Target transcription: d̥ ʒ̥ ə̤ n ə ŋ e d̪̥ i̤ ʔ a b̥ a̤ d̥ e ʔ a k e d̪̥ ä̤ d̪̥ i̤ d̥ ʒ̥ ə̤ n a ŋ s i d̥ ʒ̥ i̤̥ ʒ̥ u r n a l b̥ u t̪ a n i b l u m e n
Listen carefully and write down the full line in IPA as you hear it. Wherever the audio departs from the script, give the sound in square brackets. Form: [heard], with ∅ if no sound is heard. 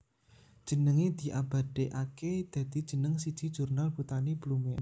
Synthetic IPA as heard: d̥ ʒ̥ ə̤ n ə ŋ e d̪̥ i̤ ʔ a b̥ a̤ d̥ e ʔ a k e d̪̥ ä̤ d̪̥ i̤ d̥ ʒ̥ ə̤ n [ə] ŋ s i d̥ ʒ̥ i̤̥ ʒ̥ u r n a l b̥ u t̪ a n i b l u m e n